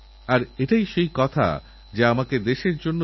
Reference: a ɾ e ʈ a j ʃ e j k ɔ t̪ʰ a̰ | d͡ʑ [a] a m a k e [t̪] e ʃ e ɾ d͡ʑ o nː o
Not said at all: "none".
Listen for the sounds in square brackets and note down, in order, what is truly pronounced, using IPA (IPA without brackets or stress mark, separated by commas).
e, d̪